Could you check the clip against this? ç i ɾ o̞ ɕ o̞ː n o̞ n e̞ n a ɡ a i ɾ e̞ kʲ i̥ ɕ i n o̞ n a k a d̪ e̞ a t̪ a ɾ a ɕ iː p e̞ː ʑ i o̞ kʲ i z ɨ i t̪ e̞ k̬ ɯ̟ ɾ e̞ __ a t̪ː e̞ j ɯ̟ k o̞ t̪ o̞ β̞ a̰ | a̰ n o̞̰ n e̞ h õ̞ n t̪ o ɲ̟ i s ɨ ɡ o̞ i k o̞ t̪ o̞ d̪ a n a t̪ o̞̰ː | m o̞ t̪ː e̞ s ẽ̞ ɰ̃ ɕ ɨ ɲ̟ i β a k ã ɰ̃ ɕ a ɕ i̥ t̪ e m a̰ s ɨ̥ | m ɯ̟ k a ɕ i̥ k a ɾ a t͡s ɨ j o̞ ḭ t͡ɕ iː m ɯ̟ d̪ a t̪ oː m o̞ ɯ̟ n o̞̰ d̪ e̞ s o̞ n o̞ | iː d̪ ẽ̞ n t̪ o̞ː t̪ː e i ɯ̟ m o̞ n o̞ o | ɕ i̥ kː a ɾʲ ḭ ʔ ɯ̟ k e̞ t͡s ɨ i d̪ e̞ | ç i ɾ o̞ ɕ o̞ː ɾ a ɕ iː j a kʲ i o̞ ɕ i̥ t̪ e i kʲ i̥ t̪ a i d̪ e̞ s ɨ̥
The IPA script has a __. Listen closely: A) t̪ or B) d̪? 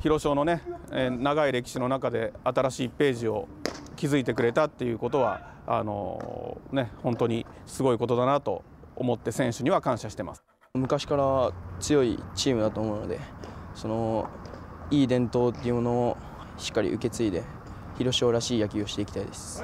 A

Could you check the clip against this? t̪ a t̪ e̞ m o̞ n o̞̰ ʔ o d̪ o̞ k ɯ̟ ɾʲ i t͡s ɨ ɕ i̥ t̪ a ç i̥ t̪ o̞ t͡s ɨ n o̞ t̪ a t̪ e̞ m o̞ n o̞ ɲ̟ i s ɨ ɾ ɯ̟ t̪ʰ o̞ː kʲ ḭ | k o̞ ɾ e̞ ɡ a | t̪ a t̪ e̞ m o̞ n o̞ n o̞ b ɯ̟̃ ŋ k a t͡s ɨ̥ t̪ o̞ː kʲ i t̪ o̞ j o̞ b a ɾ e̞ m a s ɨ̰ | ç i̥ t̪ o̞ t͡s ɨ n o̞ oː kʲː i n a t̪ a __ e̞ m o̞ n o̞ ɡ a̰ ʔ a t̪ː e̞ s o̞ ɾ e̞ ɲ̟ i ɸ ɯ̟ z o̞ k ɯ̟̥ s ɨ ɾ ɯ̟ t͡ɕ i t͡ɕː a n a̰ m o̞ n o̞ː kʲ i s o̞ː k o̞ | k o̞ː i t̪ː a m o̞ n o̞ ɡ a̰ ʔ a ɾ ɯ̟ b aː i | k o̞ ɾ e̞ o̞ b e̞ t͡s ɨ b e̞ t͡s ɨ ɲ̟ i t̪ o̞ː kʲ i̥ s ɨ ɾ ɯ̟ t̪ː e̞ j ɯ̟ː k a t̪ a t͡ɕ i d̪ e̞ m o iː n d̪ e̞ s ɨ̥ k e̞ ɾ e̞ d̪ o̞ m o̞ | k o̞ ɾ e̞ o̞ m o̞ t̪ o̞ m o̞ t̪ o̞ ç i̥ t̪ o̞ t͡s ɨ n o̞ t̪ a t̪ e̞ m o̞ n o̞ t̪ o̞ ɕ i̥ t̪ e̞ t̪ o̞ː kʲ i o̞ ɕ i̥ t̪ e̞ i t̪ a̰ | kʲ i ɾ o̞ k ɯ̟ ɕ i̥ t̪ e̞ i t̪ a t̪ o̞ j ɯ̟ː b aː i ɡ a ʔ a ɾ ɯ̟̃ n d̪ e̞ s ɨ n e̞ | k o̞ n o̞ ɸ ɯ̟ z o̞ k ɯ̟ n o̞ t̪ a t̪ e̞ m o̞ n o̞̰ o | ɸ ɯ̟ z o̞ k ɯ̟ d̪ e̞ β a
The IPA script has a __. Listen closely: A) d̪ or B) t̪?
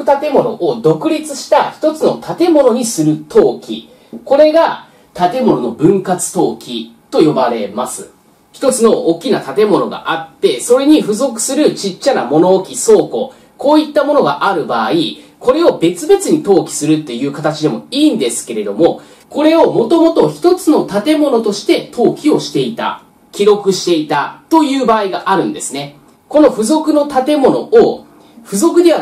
B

